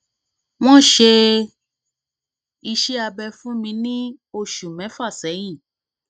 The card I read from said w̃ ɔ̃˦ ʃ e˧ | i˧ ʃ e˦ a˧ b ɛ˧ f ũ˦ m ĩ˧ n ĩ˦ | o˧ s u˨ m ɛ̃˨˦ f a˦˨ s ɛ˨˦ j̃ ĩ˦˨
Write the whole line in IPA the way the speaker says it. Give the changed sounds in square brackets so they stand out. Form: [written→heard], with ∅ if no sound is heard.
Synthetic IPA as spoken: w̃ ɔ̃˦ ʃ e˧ | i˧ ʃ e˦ a˧ b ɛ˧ f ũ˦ m ĩ˧ n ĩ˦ | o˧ [s→ʃ] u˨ m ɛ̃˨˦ f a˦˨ s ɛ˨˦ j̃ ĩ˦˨